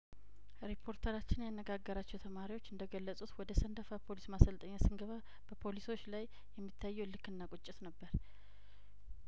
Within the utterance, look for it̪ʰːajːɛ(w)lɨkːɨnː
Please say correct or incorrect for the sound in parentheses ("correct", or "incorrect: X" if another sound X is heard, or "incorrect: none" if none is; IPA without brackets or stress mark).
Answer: correct